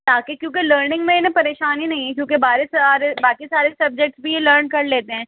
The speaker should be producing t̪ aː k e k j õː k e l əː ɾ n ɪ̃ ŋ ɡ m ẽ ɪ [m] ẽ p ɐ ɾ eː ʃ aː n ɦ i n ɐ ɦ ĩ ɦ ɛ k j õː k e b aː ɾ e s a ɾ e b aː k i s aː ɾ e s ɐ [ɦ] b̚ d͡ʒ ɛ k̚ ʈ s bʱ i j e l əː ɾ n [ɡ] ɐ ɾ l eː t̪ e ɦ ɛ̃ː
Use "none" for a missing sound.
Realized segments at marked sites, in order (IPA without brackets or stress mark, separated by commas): n, none, k